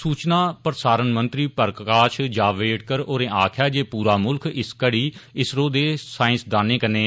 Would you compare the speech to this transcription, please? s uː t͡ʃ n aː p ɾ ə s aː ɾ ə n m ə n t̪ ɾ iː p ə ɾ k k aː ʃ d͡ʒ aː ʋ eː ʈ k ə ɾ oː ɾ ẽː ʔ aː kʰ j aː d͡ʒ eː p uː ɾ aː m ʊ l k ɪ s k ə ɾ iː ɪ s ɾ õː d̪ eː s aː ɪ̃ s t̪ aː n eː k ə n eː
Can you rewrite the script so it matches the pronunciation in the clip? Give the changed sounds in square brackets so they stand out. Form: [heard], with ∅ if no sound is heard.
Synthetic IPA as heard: s uː t͡ʃ n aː p ɾ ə s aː ɾ ə n m ə n t̪ ɾ iː p ə ɾ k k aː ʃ d͡ʒ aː ʋ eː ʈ k ə ɾ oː ɾ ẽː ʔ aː kʰ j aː d͡ʒ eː p uː ɾ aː m ʊ l k ɪ s k ə [ɽ] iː ɪ s ɾ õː d̪ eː s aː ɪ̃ s [d̪] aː n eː k ə n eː